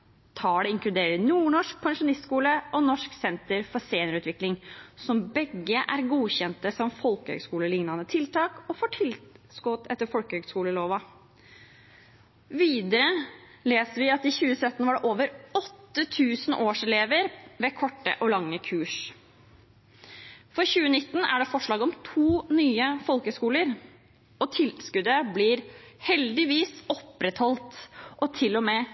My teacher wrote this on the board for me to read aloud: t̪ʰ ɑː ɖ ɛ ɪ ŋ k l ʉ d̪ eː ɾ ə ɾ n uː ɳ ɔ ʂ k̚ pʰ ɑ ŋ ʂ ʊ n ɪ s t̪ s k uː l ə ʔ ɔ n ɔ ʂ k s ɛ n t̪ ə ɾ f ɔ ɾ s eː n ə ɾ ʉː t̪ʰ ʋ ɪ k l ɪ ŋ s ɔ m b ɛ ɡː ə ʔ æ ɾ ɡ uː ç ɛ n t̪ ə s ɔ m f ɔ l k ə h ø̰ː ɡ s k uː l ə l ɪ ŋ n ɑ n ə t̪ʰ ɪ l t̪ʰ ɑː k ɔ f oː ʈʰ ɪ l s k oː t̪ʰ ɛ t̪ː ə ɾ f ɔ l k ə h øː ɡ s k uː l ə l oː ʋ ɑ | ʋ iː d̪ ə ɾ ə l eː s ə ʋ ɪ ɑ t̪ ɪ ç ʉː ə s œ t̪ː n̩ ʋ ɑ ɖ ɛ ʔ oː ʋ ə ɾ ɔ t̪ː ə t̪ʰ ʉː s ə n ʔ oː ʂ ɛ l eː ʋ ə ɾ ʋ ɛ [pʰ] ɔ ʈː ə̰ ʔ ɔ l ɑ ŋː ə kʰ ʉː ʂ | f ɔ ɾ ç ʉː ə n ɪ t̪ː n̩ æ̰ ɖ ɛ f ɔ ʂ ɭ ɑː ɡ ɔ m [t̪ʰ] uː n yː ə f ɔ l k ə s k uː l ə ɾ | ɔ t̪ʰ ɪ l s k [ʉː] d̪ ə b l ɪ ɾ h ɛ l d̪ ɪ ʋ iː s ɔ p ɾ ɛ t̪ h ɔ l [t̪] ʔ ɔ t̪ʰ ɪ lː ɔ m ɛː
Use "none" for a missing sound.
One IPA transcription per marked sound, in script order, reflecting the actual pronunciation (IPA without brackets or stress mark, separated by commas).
kʰ, t̪ʰ, ʉ, t̪